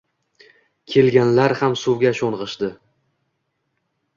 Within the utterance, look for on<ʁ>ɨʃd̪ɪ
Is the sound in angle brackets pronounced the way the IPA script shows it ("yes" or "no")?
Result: yes